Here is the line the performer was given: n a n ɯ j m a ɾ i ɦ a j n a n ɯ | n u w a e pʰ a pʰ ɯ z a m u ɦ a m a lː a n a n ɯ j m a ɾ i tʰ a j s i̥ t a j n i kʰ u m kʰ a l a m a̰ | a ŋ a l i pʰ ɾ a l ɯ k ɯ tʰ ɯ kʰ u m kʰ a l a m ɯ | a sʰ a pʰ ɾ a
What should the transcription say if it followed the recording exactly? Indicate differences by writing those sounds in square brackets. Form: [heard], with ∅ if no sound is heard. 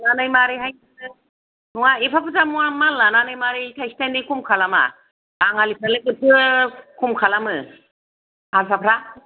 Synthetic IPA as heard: n a n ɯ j m a ɾ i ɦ a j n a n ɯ | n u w a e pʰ a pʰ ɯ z a m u [∅] a m a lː a n a n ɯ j m a ɾ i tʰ a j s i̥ t a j n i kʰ u m kʰ a l a m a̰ | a ŋ a l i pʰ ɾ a l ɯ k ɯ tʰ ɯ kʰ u m kʰ a l a m ɯ | a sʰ a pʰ ɾ a